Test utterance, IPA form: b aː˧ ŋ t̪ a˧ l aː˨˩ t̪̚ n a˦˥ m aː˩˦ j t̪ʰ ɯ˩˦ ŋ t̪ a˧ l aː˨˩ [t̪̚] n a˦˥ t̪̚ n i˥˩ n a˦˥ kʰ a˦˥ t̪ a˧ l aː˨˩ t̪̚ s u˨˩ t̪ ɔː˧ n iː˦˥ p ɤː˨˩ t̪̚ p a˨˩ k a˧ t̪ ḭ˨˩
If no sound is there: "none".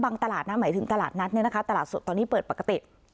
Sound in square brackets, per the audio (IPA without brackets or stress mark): t̪̚